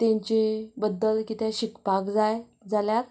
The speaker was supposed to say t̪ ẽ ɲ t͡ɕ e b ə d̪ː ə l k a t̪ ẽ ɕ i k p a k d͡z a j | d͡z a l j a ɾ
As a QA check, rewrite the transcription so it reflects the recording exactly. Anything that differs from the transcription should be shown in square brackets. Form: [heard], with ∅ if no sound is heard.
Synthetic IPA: t̪ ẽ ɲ t͡ɕ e b ə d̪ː ə l k [i] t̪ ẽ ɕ i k p a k d͡z a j | d͡z a l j a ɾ